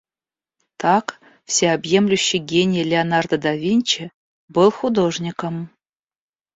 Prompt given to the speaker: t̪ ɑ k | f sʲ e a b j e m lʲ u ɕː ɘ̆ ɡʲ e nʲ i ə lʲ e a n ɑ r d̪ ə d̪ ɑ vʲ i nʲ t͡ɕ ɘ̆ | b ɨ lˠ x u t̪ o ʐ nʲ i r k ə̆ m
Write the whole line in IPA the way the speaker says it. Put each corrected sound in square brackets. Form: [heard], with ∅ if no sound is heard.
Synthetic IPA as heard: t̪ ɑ k | f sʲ e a b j e m lʲ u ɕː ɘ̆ ɡʲ e nʲ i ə lʲ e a n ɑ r d̪ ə d̪ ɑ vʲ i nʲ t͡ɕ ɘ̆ | b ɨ lˠ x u [d̪] o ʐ nʲ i [∅] k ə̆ m